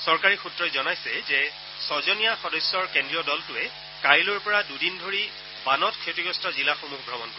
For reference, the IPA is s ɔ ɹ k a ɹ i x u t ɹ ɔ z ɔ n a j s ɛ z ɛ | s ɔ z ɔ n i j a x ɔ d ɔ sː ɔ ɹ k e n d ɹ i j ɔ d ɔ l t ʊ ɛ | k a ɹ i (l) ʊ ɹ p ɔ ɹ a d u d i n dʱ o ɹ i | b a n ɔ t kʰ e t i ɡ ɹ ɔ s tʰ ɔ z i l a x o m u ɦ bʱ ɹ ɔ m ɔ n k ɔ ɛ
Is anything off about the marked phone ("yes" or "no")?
no